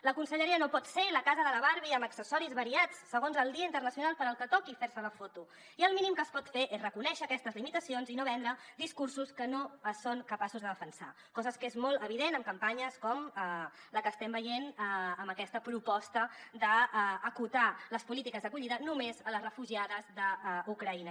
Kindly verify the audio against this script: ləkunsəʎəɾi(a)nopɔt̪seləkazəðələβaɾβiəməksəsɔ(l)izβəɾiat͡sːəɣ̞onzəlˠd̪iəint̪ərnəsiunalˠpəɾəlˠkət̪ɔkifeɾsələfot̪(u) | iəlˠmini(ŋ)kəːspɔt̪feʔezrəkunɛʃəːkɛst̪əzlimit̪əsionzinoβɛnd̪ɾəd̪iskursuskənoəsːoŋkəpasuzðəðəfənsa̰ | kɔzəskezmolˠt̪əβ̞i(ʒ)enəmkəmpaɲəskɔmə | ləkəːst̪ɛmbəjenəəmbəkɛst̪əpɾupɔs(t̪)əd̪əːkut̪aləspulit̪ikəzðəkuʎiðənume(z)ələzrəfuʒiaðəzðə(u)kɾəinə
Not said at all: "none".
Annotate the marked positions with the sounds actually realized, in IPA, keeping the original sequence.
ə, ɾ, u, m, ð, t̪, z, u

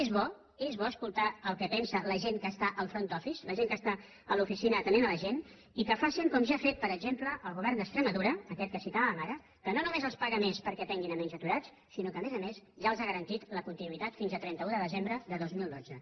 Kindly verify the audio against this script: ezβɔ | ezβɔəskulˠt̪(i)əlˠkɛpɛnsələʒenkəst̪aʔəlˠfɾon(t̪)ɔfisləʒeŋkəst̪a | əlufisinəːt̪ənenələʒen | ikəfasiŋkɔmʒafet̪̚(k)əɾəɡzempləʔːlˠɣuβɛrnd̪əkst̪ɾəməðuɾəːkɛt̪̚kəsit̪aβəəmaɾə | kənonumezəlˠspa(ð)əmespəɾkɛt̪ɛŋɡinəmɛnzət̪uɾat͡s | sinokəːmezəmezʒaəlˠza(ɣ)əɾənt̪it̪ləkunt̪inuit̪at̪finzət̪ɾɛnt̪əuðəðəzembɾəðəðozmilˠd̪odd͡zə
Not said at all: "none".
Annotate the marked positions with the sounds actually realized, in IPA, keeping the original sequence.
a, t̪, p, ɣ, ɣ

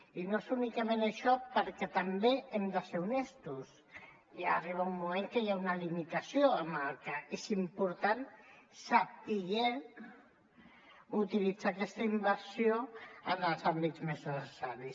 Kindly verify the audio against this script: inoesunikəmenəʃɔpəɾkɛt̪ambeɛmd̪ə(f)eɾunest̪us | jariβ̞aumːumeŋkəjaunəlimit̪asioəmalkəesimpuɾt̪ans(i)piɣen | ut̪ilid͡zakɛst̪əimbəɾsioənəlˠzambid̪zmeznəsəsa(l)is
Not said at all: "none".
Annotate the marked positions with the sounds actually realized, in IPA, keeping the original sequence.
s, a, ɾ

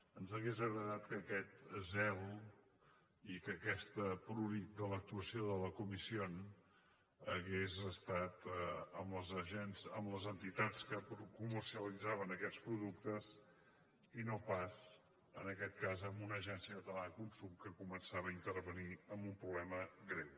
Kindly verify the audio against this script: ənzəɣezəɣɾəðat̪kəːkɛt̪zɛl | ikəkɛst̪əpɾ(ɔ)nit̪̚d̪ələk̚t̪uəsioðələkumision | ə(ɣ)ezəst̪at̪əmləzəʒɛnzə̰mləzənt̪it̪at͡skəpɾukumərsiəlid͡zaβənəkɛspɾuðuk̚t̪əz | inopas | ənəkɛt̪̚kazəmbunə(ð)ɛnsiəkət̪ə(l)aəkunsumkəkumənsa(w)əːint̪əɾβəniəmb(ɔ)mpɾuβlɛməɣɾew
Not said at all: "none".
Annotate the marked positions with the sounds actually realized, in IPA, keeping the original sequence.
u, ɣ, ʒ, l, β, u

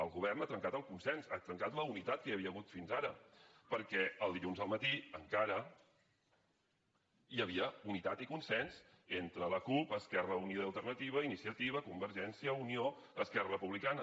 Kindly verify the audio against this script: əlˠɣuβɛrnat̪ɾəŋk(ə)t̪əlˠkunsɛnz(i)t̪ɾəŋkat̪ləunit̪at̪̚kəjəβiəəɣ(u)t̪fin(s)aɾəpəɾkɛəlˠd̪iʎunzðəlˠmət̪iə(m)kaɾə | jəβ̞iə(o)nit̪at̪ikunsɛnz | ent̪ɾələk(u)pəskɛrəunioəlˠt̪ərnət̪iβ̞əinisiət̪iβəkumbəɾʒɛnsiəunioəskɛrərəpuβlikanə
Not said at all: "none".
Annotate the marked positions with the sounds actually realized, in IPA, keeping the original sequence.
a, a, u, z, ŋ, u, u

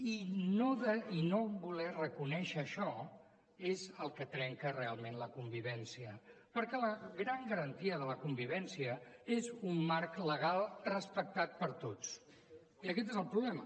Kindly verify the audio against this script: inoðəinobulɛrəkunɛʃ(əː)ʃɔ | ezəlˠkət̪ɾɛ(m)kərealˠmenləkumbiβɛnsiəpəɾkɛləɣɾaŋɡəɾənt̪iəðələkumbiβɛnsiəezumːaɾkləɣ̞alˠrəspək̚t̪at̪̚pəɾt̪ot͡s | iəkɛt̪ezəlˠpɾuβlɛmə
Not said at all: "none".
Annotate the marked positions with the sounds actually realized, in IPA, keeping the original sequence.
əː, ŋ

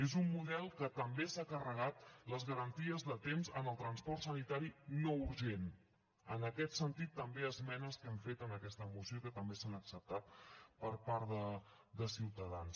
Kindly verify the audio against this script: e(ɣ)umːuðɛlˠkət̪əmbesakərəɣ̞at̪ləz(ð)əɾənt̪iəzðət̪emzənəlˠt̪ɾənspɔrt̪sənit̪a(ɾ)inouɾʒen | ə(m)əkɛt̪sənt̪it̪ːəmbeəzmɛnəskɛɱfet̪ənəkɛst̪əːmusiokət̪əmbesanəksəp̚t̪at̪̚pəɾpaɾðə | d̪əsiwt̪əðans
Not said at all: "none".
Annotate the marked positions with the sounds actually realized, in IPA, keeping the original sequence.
z, ɣ, ɾ, n

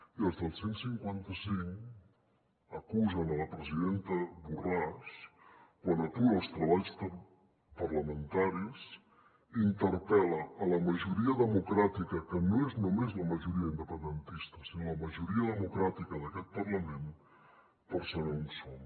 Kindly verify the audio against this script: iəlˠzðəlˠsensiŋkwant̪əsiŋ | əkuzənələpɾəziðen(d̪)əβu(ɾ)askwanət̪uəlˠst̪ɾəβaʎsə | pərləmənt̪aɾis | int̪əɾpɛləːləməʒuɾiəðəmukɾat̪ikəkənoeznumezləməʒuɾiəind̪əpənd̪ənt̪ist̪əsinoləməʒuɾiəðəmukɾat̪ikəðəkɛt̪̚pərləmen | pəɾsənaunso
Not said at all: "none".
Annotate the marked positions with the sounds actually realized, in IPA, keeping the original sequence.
t̪, r

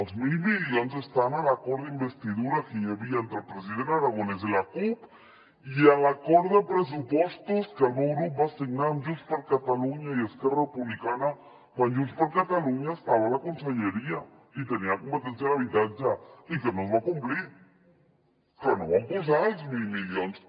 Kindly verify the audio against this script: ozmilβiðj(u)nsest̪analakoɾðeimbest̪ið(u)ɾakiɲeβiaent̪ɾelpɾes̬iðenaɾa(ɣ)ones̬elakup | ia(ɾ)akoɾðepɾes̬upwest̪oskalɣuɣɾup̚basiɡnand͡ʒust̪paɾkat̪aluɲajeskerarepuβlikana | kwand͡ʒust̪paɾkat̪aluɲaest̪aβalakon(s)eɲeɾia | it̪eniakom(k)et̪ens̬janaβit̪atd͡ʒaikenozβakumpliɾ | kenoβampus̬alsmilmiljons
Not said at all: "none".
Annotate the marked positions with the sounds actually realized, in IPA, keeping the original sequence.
o, u, ɣ, l, s, p

